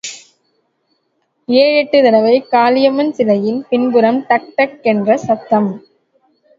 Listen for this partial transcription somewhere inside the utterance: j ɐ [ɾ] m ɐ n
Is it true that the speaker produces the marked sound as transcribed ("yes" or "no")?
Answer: no